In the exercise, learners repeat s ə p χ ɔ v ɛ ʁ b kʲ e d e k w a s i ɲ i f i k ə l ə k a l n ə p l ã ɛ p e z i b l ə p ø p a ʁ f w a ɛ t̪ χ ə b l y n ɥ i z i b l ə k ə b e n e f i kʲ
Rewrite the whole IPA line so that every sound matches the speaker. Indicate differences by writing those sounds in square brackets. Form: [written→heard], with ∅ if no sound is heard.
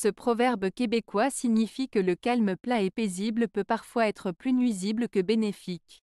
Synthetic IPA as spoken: s ə p χ ɔ v ɛ ʁ b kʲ e [d→b] e k w a s i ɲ i f i k ə l ə k a l [n→m] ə p l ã ɛ p e z i b l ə p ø p a ʁ f w a ɛ t̪ χ ə [b→p] l y n ɥ i z i b l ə k ə b e n e f i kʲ